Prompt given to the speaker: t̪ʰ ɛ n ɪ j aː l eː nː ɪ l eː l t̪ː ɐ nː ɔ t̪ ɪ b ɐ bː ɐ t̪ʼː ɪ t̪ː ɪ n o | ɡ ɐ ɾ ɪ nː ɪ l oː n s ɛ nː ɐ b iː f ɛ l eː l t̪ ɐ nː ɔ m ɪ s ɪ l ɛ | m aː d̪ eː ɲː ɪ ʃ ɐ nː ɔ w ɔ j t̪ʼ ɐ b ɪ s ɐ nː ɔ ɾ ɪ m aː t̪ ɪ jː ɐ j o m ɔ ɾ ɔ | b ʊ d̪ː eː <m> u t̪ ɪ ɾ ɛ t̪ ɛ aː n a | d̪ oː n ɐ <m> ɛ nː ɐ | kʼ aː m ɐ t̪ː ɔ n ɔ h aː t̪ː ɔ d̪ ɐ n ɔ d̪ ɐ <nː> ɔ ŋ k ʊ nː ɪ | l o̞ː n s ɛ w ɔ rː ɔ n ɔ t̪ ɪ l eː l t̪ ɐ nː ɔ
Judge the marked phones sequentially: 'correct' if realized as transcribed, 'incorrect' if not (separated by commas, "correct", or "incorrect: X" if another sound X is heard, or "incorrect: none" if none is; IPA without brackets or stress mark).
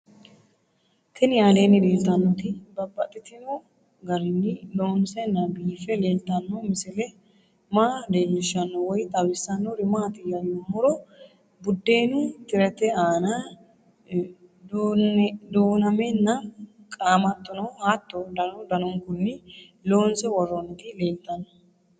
incorrect: n, correct, incorrect: n